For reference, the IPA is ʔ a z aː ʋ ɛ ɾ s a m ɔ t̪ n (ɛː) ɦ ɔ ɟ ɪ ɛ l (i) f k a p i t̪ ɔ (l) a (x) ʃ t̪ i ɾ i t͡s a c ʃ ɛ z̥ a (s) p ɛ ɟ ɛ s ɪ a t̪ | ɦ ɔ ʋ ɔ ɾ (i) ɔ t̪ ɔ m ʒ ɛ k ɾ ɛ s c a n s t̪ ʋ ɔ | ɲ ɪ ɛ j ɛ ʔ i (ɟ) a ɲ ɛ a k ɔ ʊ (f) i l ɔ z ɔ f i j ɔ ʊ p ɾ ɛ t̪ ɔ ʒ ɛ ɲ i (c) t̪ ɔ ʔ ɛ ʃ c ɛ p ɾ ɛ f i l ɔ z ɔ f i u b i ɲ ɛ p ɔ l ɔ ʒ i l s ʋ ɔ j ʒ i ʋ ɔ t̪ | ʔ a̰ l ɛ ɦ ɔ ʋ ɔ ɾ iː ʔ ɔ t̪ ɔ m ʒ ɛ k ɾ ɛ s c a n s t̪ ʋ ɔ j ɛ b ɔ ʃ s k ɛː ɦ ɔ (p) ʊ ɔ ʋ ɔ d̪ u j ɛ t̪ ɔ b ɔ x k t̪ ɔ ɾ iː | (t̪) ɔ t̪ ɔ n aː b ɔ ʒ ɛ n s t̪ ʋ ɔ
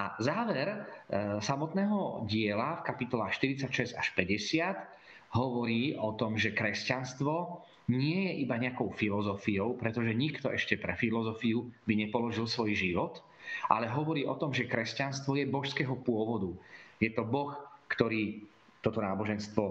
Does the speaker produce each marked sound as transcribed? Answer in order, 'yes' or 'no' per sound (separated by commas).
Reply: yes, no, yes, yes, no, no, no, yes, no, yes, yes